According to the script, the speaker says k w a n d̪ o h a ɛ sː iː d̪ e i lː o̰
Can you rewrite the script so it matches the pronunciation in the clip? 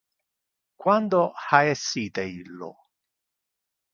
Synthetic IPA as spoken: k w a n d̪ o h a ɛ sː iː t̪ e i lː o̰